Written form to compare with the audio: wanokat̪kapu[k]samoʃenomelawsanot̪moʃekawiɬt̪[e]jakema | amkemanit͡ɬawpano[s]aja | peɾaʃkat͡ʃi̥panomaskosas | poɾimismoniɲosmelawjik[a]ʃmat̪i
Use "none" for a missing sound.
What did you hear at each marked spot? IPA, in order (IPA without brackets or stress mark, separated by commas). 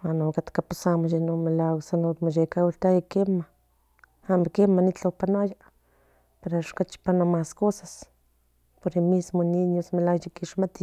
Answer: none, a, none, i